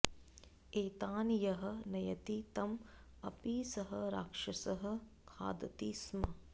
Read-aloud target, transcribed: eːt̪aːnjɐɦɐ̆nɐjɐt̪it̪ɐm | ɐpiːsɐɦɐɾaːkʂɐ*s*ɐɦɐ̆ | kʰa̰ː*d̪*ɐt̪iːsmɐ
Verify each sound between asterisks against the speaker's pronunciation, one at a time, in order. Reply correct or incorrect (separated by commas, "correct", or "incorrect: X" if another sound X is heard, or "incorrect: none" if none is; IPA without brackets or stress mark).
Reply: correct, correct